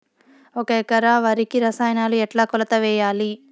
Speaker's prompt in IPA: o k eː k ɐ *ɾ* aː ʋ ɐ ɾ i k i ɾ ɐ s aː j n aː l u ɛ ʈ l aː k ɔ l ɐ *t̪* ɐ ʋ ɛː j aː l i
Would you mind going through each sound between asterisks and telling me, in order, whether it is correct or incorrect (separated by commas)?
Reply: correct, correct